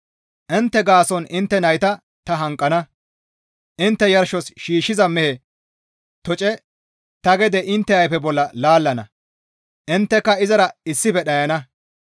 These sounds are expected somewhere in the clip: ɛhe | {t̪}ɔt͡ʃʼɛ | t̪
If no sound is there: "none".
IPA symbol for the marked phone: t̪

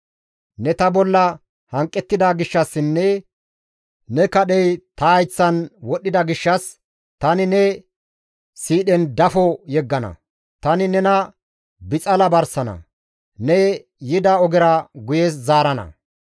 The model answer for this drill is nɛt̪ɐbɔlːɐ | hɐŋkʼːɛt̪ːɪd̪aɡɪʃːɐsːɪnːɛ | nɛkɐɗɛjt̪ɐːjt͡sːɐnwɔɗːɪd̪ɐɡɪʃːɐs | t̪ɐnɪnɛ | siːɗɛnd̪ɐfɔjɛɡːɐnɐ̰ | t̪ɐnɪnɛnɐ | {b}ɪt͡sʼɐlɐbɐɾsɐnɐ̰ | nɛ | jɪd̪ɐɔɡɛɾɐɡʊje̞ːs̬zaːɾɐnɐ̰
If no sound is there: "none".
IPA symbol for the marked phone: b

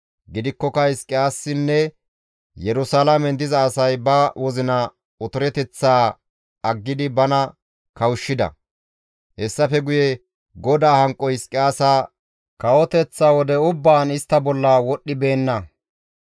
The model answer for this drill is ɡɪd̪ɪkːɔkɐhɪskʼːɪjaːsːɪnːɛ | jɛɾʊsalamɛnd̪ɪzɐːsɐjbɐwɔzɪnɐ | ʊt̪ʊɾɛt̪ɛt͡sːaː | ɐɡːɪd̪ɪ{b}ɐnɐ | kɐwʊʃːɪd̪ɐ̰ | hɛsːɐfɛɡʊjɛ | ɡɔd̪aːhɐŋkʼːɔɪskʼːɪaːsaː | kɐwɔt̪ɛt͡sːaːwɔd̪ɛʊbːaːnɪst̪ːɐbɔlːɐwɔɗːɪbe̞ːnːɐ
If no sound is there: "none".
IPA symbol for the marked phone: b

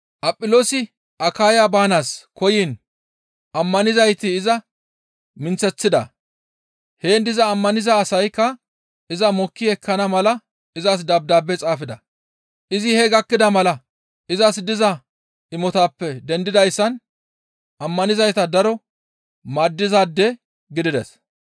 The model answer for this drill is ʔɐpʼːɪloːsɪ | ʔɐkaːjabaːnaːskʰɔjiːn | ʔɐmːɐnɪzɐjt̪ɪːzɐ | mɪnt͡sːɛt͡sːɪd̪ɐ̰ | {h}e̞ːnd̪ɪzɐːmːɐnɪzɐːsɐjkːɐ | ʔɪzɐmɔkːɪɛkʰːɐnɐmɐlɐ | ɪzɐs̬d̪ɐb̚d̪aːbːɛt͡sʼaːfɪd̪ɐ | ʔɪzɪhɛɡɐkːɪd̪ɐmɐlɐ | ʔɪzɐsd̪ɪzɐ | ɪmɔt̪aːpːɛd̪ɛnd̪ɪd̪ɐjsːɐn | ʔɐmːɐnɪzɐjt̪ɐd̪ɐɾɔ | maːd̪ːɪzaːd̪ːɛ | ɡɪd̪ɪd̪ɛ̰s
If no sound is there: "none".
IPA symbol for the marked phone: h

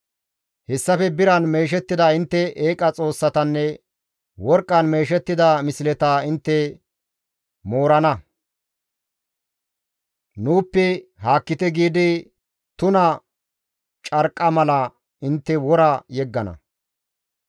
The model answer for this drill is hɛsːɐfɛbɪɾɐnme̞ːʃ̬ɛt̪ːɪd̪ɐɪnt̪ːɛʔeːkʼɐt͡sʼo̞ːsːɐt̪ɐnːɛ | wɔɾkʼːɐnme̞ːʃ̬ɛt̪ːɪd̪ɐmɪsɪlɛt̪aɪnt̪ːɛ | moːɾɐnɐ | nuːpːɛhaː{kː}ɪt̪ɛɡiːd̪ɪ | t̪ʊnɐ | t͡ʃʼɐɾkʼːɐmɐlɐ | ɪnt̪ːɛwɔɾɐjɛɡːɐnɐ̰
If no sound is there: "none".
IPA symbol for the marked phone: kː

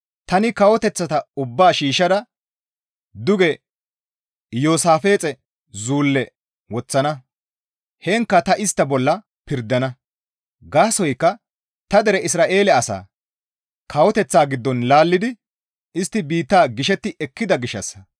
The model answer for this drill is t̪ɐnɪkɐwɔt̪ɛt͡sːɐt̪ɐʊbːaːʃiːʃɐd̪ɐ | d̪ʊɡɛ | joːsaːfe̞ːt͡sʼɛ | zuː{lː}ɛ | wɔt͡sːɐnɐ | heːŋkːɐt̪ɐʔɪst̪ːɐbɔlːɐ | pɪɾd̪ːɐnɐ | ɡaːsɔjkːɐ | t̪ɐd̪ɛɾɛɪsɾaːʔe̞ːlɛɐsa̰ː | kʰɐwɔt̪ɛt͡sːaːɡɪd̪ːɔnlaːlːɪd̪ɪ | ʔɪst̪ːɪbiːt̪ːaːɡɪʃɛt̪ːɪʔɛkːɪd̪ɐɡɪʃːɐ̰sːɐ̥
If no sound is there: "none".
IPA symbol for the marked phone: lː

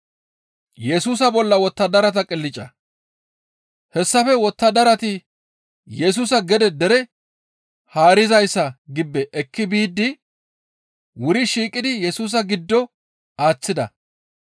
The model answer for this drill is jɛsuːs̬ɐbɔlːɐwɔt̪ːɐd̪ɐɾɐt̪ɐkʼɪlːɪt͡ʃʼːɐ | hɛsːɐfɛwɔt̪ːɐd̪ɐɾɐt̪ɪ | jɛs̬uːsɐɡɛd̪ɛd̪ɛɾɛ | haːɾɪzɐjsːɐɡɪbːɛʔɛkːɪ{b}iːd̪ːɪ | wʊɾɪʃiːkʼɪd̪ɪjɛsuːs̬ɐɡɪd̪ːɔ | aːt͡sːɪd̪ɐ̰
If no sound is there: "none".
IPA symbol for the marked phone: b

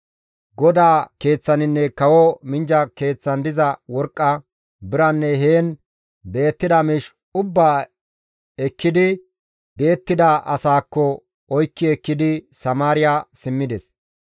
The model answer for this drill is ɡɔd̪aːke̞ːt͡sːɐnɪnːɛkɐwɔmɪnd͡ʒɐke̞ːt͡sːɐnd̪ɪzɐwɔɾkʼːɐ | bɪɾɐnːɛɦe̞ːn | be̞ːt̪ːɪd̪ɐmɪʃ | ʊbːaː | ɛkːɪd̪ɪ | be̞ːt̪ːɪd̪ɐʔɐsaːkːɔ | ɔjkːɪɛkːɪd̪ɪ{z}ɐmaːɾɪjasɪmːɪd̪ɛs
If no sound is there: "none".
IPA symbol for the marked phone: s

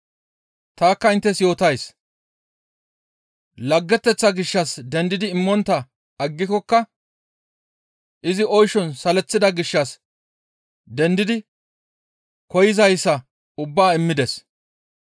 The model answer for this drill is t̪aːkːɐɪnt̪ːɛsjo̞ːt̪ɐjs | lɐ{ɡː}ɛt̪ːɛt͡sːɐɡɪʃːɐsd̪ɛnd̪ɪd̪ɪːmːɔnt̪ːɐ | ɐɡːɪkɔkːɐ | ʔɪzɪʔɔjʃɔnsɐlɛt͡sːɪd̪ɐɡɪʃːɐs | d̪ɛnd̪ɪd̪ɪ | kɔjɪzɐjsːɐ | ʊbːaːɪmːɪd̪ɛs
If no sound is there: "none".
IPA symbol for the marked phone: ɡː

